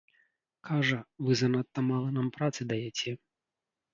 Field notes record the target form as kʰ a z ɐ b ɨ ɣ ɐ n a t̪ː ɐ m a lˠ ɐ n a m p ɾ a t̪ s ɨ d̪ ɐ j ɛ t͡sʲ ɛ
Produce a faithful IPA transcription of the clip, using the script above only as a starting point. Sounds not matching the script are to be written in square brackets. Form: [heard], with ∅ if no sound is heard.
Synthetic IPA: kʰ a [ʐ] ɐ [v] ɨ [z] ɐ n a t̪ː ɐ m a lˠ ɐ n a m p ɾ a t̪ s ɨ d̪ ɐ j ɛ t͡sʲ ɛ